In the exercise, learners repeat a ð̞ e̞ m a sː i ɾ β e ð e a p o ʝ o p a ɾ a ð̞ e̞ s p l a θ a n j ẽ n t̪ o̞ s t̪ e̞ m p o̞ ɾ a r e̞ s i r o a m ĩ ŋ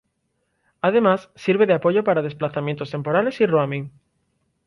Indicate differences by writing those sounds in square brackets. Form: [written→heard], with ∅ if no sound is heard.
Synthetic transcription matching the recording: a ð̞ e̞ m a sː i ɾ β e ð e a p o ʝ o p a ɾ a ð̞ e̞ s p l a θ a [n→m] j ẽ n t̪ o̞ s t̪ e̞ m p o̞ ɾ a [r→l] e̞ s i r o a m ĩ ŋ